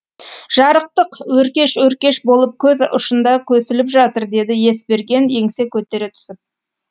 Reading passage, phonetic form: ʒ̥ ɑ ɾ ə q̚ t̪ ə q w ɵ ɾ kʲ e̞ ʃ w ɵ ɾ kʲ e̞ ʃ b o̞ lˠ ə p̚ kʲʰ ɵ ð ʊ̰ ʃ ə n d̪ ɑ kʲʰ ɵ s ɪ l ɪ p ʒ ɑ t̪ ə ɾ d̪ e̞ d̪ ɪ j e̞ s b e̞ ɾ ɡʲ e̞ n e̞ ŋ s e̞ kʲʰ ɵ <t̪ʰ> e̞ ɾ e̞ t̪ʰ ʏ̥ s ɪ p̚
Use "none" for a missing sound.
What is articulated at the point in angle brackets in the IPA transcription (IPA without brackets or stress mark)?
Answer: t̪